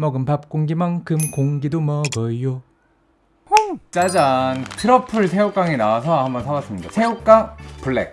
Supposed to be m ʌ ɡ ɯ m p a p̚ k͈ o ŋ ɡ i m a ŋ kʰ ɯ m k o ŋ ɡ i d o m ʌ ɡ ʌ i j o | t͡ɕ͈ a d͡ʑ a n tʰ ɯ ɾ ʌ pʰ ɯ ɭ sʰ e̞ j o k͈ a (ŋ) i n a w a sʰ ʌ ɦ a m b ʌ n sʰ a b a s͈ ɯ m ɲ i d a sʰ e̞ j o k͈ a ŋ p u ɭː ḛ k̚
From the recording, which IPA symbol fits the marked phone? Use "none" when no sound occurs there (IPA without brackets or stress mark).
ŋ